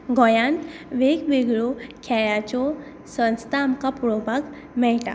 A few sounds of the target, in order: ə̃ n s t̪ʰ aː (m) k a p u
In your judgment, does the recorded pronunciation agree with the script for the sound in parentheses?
yes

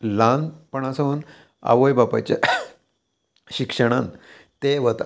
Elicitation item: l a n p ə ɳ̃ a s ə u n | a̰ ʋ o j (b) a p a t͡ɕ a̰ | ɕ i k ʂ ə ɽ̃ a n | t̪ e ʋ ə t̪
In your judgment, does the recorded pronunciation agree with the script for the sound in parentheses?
yes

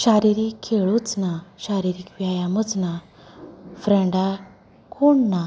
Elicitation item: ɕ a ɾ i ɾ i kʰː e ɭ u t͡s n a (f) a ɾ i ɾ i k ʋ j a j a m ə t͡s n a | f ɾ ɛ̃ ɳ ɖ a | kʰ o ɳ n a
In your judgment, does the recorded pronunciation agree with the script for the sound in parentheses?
no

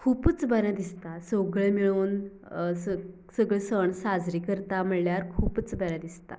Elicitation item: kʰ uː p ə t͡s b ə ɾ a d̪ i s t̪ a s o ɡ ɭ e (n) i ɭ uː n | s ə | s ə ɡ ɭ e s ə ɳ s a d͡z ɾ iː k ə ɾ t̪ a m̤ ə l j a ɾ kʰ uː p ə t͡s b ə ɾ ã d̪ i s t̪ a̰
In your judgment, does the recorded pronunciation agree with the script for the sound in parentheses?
no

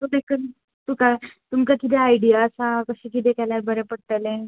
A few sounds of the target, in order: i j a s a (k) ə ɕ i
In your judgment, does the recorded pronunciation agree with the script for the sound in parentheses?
yes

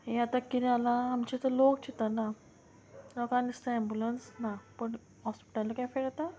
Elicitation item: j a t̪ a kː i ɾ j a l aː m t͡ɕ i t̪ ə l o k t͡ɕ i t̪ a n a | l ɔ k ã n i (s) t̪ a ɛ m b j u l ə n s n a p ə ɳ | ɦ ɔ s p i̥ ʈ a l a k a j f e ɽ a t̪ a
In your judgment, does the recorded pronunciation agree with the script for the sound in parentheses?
yes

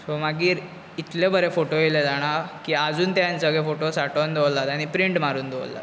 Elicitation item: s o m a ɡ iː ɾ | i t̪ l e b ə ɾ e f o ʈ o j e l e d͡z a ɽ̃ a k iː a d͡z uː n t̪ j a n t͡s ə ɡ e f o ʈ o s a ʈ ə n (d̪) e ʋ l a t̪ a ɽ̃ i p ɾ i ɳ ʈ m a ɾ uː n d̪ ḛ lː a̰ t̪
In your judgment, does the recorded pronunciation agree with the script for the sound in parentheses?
yes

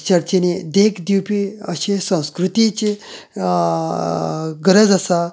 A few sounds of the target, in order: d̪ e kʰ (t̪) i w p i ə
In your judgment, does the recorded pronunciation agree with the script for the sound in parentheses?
no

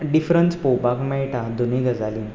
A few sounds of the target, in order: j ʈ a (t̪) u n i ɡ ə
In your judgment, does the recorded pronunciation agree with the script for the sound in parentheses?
no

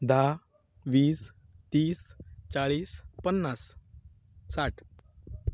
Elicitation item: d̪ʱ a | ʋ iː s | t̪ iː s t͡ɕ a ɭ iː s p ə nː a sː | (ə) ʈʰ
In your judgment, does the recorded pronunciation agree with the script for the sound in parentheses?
no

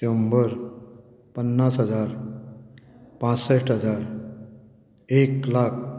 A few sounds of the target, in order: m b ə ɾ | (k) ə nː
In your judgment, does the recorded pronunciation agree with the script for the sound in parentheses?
no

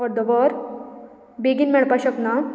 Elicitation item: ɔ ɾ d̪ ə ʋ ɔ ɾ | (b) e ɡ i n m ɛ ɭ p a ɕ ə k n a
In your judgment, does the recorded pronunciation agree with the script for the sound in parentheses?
yes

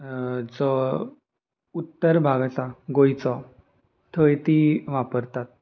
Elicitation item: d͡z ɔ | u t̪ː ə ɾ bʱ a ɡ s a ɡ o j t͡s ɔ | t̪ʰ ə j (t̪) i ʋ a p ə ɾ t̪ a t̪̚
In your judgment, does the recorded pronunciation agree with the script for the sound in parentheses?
yes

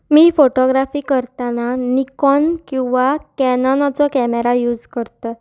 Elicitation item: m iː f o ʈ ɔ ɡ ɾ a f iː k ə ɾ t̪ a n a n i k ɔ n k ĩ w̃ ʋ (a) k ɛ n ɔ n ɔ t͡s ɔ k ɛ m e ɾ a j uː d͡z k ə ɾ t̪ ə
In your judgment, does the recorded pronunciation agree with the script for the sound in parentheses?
yes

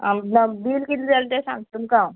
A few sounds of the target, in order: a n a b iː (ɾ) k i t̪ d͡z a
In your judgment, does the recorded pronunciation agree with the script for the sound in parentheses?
no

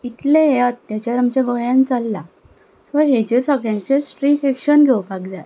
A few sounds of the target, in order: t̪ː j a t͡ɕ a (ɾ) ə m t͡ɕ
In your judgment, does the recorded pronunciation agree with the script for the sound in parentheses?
yes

